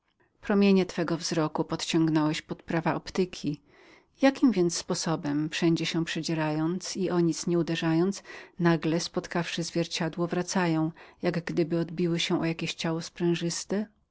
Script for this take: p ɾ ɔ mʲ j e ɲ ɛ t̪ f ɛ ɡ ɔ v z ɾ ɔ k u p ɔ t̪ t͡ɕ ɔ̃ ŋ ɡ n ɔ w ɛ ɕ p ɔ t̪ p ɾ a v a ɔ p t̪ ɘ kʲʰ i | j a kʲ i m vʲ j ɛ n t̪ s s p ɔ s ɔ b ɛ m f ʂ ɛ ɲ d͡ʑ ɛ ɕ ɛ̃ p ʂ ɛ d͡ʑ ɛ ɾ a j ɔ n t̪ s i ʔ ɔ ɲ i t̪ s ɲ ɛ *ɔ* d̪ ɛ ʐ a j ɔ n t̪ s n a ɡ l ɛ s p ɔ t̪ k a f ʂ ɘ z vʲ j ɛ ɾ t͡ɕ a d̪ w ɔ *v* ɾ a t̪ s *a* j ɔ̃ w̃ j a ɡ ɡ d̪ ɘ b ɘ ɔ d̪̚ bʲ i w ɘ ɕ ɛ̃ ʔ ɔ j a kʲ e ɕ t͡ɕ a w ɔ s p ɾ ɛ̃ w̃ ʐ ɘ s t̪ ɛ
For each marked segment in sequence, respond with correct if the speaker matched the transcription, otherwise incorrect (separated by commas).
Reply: incorrect, correct, correct